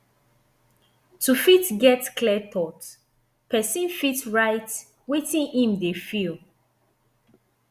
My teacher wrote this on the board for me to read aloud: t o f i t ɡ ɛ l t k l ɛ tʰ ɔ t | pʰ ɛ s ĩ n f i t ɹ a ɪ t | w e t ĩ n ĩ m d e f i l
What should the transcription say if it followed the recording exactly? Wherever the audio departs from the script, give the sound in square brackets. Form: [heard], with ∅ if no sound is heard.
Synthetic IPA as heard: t [u] f i t ɡ ɛ [∅] t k l ɛ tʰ ɔ t | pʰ ɛ s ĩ n f i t ɹ a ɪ t | w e t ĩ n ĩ m d e f i l